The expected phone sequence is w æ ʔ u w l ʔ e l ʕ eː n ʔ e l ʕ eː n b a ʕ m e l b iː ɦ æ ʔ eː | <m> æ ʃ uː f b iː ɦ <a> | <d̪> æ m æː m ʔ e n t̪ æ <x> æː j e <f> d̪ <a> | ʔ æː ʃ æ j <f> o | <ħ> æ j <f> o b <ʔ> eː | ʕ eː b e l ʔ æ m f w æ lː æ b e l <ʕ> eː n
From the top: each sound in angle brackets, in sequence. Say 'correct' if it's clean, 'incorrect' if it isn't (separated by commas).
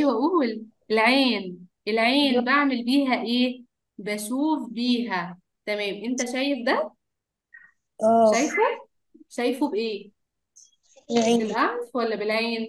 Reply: incorrect, incorrect, incorrect, incorrect, correct, incorrect, correct, incorrect, correct, correct, correct